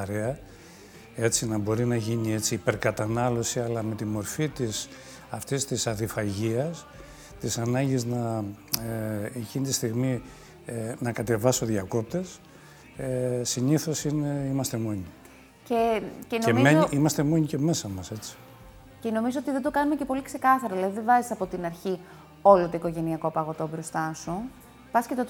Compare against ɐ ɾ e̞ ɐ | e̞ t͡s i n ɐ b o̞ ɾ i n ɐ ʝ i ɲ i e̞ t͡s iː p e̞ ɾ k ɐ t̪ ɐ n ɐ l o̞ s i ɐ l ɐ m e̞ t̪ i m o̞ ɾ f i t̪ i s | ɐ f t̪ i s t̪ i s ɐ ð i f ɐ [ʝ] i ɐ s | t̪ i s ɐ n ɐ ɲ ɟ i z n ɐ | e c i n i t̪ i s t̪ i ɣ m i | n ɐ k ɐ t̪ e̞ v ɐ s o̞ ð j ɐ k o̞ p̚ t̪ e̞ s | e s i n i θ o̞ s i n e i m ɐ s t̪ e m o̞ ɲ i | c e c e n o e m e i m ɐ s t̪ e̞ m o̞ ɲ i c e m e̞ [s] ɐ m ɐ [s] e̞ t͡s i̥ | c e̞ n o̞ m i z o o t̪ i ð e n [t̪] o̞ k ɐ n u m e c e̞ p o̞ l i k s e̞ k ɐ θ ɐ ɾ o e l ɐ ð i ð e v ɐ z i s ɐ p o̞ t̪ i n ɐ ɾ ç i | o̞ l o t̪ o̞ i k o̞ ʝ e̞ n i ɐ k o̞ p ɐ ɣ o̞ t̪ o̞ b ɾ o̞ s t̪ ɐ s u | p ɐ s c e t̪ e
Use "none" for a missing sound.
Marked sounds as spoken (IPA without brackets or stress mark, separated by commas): ʝ, s, s, d̪